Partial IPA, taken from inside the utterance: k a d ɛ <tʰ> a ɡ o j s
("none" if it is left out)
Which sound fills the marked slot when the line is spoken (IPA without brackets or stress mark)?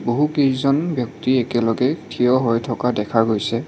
kʰ